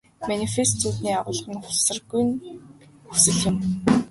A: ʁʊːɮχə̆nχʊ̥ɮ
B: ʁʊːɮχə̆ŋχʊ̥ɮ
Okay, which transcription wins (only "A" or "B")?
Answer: A